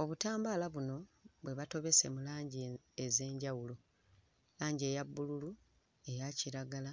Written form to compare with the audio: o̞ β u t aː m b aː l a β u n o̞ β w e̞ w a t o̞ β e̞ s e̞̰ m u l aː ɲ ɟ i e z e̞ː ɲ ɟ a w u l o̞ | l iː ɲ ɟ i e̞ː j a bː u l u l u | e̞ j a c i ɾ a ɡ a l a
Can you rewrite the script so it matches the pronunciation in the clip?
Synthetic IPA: o̞ β u t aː m b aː l a β u n o̞ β w e̞ β a t o̞ β e̞ s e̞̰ m u l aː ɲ ɟ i e z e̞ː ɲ ɟ a w u l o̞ | l aː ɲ ɟ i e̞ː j a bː u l u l u | e̞ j a c i ɾ a ɡ a l a

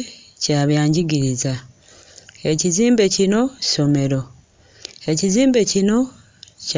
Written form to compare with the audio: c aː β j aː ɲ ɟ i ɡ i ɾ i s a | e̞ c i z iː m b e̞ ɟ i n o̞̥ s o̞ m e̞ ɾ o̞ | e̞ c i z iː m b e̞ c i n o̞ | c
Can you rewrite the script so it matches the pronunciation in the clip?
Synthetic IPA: c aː β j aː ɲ ɟ i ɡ i ɾ i z a | e̞ c i z iː m b e̞ c i n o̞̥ s o̞ m e̞ ɾ o̞ | e̞ c i z iː m b e̞ c i n o̞ | c

